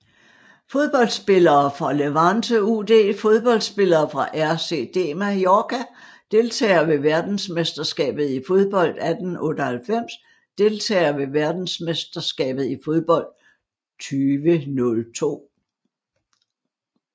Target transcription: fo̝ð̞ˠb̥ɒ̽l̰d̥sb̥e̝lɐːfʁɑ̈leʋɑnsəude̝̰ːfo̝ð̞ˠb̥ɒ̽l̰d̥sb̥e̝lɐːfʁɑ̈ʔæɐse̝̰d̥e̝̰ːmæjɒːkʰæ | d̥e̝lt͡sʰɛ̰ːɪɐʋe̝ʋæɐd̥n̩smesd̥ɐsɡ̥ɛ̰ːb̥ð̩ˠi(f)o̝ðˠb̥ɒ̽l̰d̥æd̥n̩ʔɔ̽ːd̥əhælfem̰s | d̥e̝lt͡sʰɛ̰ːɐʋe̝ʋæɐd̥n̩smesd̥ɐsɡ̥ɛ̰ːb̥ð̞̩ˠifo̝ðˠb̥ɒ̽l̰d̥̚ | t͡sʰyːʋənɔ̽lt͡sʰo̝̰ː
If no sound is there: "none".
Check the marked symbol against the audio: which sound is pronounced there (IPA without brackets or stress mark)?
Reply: f